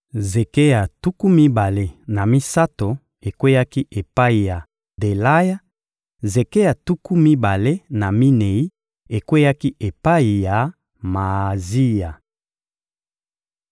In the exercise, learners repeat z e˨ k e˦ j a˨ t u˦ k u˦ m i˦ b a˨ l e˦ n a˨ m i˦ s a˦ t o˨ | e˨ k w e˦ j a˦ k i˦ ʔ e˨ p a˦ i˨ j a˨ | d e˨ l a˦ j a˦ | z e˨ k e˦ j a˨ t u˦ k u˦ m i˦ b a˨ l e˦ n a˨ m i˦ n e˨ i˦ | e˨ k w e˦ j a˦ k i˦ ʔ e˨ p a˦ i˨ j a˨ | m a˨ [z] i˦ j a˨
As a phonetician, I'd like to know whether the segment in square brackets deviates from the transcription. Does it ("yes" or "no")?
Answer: no